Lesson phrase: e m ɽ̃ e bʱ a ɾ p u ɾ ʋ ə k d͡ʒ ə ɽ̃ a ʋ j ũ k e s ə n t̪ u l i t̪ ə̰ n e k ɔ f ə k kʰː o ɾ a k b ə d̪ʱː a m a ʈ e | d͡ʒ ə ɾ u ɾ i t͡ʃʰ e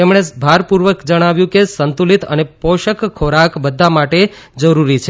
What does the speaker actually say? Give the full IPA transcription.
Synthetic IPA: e m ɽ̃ e bʱ a ɾ p u ɾ ʋ ə k d͡ʒ ə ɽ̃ a ʋ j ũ k e s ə n t̪ u l i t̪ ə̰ n e p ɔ ʃ ə k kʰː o ɾ a k b ə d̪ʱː a m a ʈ e | d͡ʒ ə ɾ u ɾ i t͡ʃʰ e